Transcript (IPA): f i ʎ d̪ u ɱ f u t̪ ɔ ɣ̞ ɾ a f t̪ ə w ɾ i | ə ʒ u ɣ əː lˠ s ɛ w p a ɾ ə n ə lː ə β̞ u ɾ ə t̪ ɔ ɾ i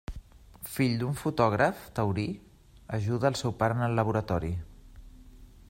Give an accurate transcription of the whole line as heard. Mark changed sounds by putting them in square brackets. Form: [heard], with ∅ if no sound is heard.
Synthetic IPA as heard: f i ʎ d̪ u ɱ f u t̪ ɔ ɣ̞ ɾ [ə] f t̪ ə w ɾ i | ə ʒ u [ð] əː lˠ s ɛ w p a ɾ ə n ə lː ə β̞ u ɾ ə t̪ ɔ ɾ i

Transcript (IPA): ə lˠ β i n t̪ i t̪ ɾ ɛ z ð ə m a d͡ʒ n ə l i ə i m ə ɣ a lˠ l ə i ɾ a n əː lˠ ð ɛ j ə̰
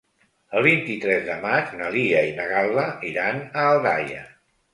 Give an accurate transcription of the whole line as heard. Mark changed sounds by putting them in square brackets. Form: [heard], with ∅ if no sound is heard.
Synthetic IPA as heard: ə lˠ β i n t̪ i t̪ ɾ ɛ z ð ə m a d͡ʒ n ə l i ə i [n] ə ɣ a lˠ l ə i ɾ a n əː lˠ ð [a] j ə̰

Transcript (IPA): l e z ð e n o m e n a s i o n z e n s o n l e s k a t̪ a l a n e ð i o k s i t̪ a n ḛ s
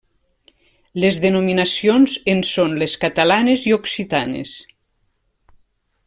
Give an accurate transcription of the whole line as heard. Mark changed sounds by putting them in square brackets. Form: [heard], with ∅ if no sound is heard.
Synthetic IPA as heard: l e z ð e n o m [i] n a s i o n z e n s o n l e s k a t̪ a l a n e [z] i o k s i t̪ a n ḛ s

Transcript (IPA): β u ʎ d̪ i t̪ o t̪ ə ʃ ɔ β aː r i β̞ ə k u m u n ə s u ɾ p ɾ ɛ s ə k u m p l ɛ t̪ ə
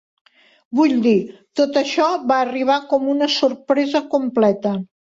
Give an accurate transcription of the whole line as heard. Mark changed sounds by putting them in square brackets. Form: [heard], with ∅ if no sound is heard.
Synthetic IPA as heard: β u ʎ d̪ i t̪ o t̪ ə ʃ ɔ β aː r i β̞ [a] k [ɔ] m u n ə s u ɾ p ɾ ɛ [z] ə k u m p l ɛ t̪ ə

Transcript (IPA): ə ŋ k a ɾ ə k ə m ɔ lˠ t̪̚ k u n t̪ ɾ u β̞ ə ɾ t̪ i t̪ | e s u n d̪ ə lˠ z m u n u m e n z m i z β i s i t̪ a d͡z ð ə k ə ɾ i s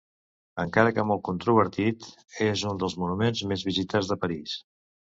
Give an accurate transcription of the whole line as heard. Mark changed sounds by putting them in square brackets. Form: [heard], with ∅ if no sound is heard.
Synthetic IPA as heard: ə ŋ k a ɾ ə k ə m ɔ lˠ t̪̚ k u n t̪ ɾ u β̞ ə ɾ t̪ i t̪ | e [z] u n d̪ ə lˠ z m u n u m e n z m [e] z β i [z] i t̪ a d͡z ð ə [p] ə ɾ i s

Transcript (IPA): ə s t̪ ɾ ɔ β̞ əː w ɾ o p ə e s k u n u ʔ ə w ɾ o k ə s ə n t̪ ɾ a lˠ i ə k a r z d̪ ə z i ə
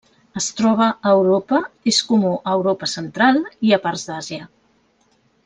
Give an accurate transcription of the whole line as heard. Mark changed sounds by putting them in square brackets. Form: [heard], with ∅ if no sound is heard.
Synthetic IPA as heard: ə s t̪ ɾ ɔ β̞ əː w ɾ o p ə e s k u [m] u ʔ ə w ɾ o [p] ə s ə n t̪ ɾ a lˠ i ə [p] a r z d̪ [a] z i ə

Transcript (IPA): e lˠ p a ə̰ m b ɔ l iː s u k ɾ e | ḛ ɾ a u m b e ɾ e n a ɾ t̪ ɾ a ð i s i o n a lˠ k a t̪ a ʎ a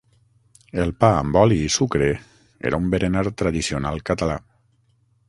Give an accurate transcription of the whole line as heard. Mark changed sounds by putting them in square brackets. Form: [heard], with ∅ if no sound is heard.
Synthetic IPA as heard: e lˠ p a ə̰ m b ɔ l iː s u k ɾ e | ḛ ɾ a u m b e ɾ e n a ɾ t̪ ɾ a ð i s i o n a lˠ k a t̪ a [l] a

